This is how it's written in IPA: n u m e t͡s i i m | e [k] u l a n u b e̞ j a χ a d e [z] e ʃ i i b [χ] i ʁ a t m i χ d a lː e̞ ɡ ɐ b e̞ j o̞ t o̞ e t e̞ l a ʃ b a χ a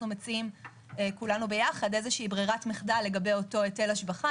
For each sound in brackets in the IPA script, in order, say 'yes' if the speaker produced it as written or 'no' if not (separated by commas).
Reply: yes, yes, no